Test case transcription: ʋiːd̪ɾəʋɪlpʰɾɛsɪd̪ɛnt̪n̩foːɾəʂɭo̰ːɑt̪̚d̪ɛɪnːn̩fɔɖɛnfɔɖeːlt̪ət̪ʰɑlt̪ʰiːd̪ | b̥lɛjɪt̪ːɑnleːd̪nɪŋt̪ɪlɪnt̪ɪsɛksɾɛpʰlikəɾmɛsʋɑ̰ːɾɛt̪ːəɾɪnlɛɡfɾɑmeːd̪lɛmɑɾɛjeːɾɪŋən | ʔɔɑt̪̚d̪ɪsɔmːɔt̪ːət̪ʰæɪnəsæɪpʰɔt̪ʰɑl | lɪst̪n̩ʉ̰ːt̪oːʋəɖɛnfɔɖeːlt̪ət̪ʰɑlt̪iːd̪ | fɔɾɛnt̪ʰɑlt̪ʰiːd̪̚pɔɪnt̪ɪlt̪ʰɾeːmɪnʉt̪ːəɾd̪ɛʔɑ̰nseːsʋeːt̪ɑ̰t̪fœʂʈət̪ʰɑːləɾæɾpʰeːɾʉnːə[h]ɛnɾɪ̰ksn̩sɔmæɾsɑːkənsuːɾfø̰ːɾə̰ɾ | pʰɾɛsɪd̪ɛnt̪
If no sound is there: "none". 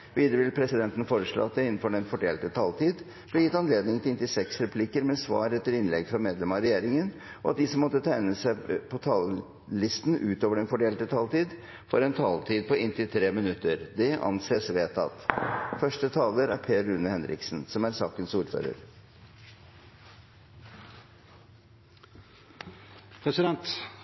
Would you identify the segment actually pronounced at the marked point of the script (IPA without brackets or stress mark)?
h